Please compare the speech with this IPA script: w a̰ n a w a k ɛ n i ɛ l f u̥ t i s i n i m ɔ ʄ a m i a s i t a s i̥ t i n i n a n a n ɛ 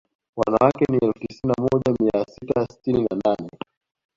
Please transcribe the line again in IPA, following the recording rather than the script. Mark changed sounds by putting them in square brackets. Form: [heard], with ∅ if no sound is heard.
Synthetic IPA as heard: w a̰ n a w a k ɛ n i ɛ l f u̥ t i s i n [a] m ɔ ʄ a m i a s i t a s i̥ t i n i n a n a n ɛ